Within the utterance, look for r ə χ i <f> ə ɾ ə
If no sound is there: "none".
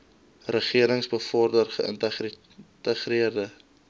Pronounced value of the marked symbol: none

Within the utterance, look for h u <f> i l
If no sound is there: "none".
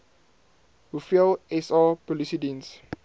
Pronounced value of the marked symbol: f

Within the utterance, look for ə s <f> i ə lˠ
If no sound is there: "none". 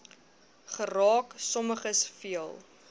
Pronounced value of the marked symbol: f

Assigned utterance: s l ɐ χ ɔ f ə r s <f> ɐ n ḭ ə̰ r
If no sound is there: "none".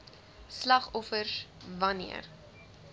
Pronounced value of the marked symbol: v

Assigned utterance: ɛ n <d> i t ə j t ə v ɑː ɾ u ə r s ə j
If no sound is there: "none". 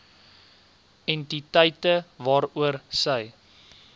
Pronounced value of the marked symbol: t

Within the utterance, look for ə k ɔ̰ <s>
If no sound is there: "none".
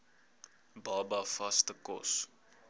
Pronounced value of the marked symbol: s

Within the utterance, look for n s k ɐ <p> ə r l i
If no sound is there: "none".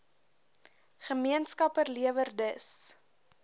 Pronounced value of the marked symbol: p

